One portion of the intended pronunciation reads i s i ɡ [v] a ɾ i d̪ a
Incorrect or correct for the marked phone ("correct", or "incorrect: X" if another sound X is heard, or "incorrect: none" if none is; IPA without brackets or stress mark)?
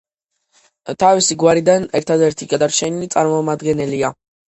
incorrect: w